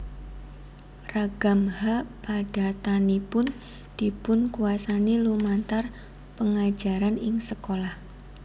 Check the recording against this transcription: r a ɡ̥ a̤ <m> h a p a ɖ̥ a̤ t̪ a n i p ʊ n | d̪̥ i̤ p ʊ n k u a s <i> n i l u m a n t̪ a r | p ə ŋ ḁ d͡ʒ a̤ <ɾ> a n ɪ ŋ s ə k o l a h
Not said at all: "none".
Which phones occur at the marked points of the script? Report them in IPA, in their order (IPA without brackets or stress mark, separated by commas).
m, a, ɾ